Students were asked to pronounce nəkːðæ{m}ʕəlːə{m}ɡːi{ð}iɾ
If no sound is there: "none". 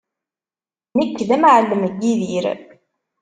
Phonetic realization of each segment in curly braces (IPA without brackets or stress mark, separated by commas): m, m, ð